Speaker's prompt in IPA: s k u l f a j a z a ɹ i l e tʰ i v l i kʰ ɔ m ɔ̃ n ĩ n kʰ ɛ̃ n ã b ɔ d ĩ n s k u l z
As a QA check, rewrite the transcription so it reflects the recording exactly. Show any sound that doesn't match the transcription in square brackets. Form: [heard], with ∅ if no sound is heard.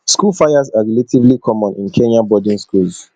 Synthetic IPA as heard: s k u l f a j a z a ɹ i l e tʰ i v l i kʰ ɔ m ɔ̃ n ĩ n kʰ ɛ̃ n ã b ɔ d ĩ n s k u l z